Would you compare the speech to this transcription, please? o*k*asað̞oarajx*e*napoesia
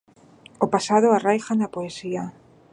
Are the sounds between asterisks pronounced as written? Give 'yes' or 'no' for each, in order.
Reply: no, no

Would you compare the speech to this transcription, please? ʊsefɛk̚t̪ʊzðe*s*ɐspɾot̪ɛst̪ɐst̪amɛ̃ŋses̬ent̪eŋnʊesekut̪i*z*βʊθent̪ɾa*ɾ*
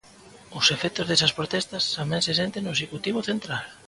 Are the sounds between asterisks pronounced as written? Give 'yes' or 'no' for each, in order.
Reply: yes, no, no

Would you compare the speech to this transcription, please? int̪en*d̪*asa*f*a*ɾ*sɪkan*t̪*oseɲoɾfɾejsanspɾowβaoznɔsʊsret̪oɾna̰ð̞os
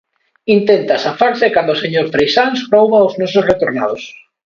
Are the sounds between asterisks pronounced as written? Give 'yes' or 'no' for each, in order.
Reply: no, yes, yes, no

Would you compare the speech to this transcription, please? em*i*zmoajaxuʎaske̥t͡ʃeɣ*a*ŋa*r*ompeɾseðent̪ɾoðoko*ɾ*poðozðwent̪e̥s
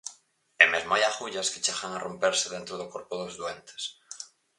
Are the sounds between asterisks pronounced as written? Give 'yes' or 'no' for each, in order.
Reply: no, yes, yes, yes

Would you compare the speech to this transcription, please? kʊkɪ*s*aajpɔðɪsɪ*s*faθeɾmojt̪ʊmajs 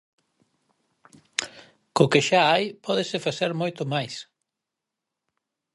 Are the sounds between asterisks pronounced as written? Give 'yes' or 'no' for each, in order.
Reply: no, no

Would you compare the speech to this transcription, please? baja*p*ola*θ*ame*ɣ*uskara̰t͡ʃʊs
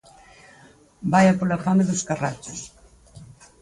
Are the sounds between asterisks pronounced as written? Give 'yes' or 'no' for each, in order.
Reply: yes, no, no

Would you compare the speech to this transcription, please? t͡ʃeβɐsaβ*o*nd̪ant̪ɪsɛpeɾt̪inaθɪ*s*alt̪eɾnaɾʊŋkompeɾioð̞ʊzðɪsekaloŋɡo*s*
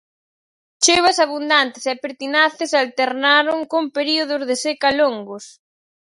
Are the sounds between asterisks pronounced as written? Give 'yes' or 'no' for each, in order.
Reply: no, yes, yes

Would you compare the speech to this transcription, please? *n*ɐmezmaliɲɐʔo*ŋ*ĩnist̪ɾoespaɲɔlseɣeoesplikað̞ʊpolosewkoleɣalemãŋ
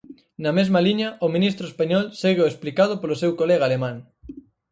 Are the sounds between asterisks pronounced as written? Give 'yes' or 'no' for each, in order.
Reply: yes, no

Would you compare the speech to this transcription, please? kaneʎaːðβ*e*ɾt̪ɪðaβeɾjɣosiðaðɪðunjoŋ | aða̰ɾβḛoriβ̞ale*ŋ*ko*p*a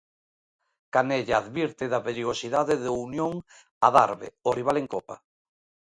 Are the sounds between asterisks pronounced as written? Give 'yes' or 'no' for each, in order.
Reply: no, yes, yes

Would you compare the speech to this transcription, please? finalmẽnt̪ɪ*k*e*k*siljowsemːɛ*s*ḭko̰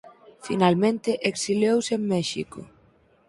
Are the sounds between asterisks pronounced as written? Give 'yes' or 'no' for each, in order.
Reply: no, yes, no

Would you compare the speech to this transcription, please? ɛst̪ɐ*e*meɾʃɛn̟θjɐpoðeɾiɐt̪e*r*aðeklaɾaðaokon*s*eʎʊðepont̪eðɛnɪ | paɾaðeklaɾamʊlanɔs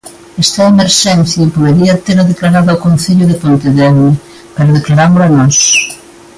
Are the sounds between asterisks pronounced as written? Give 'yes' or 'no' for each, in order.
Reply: yes, no, no

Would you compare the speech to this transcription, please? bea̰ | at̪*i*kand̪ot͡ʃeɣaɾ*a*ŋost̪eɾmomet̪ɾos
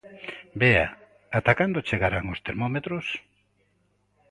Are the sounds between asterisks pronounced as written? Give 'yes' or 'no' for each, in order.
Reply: no, yes

